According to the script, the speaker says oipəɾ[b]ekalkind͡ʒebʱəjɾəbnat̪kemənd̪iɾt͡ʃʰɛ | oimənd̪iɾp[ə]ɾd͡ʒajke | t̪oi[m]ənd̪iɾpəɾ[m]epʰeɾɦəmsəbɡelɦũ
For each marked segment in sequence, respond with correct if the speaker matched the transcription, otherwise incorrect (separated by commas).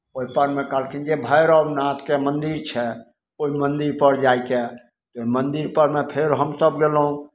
incorrect, correct, correct, correct